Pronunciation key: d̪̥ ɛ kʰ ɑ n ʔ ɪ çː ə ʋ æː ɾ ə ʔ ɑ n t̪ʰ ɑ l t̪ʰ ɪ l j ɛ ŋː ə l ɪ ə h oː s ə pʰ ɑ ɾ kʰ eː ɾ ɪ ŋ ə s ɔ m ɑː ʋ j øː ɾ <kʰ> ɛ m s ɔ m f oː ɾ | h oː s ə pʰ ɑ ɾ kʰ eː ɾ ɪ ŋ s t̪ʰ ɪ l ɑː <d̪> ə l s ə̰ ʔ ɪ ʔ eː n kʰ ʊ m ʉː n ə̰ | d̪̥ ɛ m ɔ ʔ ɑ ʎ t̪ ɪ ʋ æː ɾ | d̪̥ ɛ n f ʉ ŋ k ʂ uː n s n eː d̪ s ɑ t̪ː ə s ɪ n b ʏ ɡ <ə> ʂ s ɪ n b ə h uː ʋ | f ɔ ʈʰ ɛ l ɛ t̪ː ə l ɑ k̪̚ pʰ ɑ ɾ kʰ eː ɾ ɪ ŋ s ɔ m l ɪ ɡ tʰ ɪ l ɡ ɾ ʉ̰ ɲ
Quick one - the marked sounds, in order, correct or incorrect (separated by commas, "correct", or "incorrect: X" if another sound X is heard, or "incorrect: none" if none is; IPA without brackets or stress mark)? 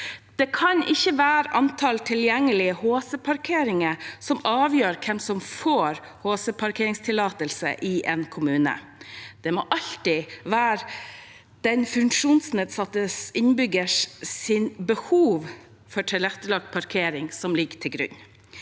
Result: correct, incorrect: t̪, correct